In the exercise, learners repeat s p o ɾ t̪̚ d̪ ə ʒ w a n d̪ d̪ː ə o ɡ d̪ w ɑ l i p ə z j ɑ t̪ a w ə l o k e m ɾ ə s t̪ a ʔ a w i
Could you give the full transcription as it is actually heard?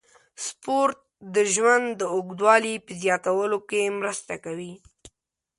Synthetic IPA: s p o ɾ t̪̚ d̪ ə ʒ w a n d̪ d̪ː ə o ɡ d̪ w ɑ l i p ə z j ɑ t̪ a w ə l o k e m ɾ ə s t̪ a k a w i